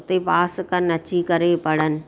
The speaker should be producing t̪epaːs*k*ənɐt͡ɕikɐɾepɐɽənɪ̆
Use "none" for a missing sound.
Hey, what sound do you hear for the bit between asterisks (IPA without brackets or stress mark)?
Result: k